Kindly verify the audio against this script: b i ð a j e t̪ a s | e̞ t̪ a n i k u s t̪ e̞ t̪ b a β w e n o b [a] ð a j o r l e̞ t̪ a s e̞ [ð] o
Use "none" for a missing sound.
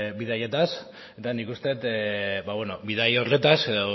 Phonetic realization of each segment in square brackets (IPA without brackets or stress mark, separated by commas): i, ð